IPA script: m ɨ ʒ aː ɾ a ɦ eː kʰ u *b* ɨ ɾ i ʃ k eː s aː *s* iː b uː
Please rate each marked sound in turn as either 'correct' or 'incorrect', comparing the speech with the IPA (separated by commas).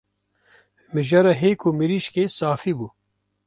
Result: incorrect, incorrect